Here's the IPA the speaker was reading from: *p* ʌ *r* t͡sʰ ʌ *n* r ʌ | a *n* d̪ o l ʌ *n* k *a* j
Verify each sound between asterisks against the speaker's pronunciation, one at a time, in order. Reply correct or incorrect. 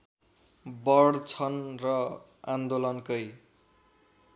incorrect: b, incorrect: ɽ, correct, correct, correct, incorrect: ʌ

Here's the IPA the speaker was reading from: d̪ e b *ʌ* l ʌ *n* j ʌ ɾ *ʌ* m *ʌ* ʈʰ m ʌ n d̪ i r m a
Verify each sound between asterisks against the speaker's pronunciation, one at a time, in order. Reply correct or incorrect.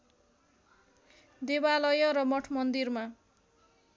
incorrect: a, incorrect: none, correct, correct

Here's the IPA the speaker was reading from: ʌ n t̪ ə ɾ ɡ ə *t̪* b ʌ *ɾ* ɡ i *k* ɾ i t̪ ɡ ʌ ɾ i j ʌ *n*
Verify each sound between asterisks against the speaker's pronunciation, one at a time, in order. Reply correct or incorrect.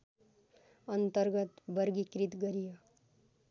correct, correct, correct, incorrect: none

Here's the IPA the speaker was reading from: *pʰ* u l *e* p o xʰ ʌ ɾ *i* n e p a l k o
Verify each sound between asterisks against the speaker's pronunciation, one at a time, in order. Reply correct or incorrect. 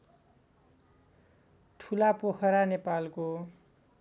incorrect: ʈʰ, incorrect: a, incorrect: a

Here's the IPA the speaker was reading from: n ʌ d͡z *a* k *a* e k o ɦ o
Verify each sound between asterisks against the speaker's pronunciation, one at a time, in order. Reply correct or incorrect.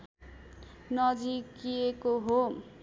incorrect: i, incorrect: i

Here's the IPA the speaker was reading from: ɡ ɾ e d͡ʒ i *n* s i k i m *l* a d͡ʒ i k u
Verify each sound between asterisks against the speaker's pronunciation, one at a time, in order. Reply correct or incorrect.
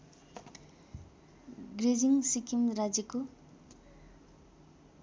incorrect: ŋ, incorrect: ɾ

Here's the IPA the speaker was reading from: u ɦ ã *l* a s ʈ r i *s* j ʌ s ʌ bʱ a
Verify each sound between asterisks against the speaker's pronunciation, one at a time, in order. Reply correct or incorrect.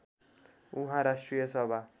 incorrect: ɾ, incorrect: none

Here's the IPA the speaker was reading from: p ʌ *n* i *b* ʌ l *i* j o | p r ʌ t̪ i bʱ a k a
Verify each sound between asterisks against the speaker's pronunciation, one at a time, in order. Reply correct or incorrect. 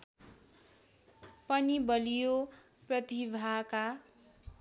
correct, correct, correct

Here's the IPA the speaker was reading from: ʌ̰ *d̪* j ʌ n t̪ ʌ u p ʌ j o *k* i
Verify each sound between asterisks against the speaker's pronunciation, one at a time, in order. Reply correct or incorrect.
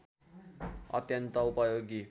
incorrect: t̪, incorrect: ɡ

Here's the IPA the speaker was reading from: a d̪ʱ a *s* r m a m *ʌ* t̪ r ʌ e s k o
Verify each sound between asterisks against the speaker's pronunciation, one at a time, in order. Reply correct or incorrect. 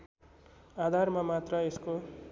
incorrect: none, incorrect: a

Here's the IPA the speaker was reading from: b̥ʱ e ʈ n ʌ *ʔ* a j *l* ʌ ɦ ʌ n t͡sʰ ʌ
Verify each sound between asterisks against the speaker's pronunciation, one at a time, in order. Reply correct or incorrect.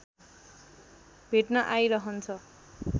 correct, incorrect: ɾ

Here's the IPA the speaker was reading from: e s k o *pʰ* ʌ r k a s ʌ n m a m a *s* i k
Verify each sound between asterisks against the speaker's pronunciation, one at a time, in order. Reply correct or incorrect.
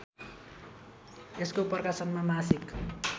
incorrect: p, correct

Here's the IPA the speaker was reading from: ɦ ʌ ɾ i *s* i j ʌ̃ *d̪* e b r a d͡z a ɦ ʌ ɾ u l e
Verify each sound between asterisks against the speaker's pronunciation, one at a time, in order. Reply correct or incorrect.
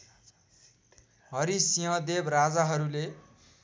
correct, correct

